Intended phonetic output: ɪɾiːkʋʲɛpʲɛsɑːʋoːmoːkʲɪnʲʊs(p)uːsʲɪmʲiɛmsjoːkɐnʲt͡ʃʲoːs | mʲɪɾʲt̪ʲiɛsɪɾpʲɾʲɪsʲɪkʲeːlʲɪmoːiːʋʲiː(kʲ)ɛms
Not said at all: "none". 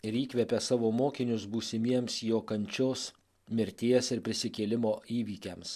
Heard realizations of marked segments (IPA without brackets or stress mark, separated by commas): b, kʲ